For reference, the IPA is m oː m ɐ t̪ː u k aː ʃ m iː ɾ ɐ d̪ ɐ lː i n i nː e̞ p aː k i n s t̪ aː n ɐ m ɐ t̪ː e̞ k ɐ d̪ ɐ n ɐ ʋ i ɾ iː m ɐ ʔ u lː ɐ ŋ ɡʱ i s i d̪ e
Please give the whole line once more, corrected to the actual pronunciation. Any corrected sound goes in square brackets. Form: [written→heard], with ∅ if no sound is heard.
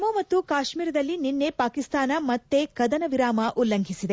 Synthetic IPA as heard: m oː m ɐ t̪ː u k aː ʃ m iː ɾ ɐ d̪ ɐ lː i n i nː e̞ p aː k i [n→∅] s t̪ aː n ɐ m ɐ t̪ː e̞ k ɐ d̪ ɐ n ɐ ʋ i ɾ [iː→aː] m ɐ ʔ u lː ɐ ŋ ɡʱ i s i d̪ e

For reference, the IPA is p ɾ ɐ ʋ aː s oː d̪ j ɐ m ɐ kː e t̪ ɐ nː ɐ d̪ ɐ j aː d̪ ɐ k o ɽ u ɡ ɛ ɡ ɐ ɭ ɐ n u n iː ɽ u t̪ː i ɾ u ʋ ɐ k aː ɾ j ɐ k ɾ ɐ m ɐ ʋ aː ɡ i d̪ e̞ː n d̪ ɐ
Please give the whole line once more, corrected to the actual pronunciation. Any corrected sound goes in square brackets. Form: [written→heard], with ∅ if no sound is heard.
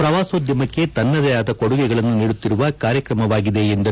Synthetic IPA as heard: p ɾ ɐ ʋ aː s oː d̪ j ɐ m ɐ kː e t̪ ɐ nː ɐ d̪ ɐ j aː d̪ ɐ k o ɽ u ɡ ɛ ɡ ɐ ɭ ɐ [n→nː] u n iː ɽ u t̪ː i ɾ u ʋ ɐ k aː ɾ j ɐ k ɾ ɐ m ɐ ʋ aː ɡ i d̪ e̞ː n d̪ ɐ

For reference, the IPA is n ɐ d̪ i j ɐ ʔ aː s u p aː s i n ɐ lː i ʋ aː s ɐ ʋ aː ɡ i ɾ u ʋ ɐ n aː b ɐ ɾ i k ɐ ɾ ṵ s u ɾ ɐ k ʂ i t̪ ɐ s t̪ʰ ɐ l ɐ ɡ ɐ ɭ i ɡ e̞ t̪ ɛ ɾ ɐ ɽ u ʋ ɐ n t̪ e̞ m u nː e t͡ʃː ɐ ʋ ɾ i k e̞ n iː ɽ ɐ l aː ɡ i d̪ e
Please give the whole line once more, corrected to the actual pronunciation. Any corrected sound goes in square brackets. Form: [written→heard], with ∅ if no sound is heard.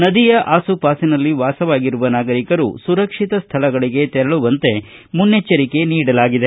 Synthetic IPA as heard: n ɐ d̪ i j ɐ ʔ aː s u p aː s i n ɐ lː i ʋ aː s ɐ ʋ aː ɡ i ɾ u ʋ ɐ n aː [b→ɡ] ɐ ɾ i k ɐ ɾ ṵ s u ɾ ɐ k ʂ i t̪ ɐ s t̪ʰ ɐ l ɐ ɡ ɐ ɭ i ɡ e̞ t̪ ɛ ɾ ɐ [ɽ→ɭ] u ʋ ɐ n t̪ e̞ m u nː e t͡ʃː ɐ [ʋ→∅] ɾ i k e̞ n iː ɽ ɐ l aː ɡ i d̪ e

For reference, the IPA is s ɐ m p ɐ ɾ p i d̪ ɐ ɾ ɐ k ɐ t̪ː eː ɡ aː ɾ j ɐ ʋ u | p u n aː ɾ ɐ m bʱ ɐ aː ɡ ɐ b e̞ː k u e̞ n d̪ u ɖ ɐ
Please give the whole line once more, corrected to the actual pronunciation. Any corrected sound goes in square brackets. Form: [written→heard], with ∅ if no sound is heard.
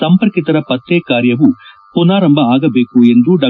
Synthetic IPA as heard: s ɐ m p ɐ ɾ [p→k] i [d̪→t̪] ɐ ɾ ɐ [k→p] ɐ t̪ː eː [ɡ→k] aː ɾ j ɐ ʋ u | p u n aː ɾ ɐ m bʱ ɐ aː ɡ ɐ b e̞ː k u e̞ n d̪ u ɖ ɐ

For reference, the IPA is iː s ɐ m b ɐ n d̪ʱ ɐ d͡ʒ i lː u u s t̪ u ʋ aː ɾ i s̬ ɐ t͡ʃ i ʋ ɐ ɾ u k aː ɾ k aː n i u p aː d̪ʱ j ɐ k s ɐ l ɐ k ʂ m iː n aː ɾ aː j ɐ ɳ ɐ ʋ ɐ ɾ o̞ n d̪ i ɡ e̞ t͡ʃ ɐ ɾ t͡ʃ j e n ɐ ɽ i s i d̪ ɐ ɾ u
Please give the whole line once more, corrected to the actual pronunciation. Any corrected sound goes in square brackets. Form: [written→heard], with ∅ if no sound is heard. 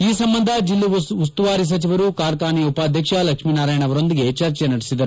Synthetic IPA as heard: iː s ɐ m b ɐ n d̪ʱ ɐ d͡ʒ i lː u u s t̪ u ʋ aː ɾ i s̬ ɐ t͡ʃ i ʋ ɐ ɾ u k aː ɾ k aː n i u p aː d̪ʱ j ɐ k [s→ʂ] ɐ l ɐ k ʂ m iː n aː ɾ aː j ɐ ɳ ɐ ʋ ɐ ɾ o̞ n d̪ i ɡ e̞ t͡ʃ ɐ ɾ t͡ʃ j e n ɐ ɽ i s i d̪ ɐ ɾ u

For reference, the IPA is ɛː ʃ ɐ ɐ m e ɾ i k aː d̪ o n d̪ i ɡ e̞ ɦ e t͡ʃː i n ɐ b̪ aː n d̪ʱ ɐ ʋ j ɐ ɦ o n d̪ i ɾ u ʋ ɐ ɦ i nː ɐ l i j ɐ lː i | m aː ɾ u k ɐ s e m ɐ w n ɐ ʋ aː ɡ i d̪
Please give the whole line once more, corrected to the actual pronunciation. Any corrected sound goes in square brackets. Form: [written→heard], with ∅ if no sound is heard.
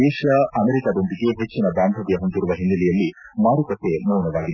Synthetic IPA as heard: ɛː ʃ ɐ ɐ m e ɾ i k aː d̪ o n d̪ i ɡ e̞ ɦ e t͡ʃː i n ɐ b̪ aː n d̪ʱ ɐ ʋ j ɐ ɦ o n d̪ i ɾ u ʋ ɐ ɦ i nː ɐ l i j ɐ lː i | m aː ɾ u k ɐ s e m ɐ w n ɐ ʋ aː ɡ i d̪

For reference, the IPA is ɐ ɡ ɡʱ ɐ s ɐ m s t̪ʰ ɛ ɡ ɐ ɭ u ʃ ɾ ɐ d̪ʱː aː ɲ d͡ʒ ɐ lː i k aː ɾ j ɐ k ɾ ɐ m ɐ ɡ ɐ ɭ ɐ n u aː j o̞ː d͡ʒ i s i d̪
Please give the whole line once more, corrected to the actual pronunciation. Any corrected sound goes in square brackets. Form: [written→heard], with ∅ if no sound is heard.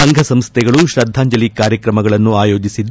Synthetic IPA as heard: ɐ [ɡ→ŋ] ɡʱ ɐ s ɐ m s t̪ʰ ɛ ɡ ɐ ɭ u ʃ ɾ ɐ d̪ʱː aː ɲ d͡ʒ ɐ [lː→l] i k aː ɾ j ɐ k ɾ ɐ m ɐ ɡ ɐ ɭ ɐ [n→nː] u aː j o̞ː d͡ʒ i s i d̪

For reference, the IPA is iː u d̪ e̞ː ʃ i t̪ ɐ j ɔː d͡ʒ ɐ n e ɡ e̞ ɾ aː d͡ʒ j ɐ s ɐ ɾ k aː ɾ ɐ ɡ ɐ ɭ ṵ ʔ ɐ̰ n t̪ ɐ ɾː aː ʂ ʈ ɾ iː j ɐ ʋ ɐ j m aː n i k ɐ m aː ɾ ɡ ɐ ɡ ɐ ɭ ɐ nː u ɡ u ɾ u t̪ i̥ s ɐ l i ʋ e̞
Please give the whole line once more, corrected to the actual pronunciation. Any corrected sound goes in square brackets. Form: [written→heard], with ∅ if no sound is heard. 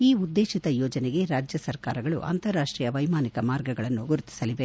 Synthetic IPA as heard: iː u [d̪→d̪ː] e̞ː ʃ i t̪ ɐ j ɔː d͡ʒ ɐ n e ɡ e̞ ɾ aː d͡ʒ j ɐ s ɐ ɾ k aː ɾ ɐ ɡ ɐ ɭ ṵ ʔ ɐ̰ n t̪ ɐ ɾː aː ʂ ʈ ɾ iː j ɐ ʋ ɐ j m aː n i k ɐ m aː ɾ ɡ ɐ ɡ ɐ ɭ ɐ nː u ɡ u ɾ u t̪ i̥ s ɐ l i ʋ e̞

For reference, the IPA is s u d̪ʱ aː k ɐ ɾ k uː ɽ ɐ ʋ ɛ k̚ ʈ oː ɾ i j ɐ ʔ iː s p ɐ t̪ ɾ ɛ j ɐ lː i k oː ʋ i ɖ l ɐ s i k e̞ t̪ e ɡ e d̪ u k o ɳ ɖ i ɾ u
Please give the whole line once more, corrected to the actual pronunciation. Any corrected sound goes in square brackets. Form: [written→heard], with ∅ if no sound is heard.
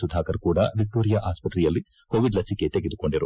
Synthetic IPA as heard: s u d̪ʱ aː k ɐ ɾ k uː ɽ ɐ ʋ [ɛ→i] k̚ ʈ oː ɾ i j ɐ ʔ [iː→aː] s p ɐ t̪ ɾ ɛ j ɐ lː i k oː ʋ i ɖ l ɐ s i k e̞ t̪ e ɡ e d̪ u k o ɳ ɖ i ɾ u

